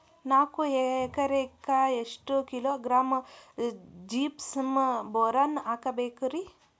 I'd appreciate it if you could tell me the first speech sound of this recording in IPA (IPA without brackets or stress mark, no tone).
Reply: n